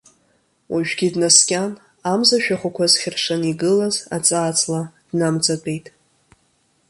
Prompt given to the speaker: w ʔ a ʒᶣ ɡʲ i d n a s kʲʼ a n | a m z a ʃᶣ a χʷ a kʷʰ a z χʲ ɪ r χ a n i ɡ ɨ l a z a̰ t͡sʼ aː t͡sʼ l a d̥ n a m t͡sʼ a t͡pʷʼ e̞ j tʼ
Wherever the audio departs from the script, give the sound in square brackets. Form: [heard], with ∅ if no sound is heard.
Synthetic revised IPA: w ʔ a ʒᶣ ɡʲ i d n a s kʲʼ a n | a m z a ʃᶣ a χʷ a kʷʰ a z χʲ ɪ r [ʂ] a n i ɡ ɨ l a z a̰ t͡sʼ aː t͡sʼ l a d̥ n a m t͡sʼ a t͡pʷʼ e̞ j tʼ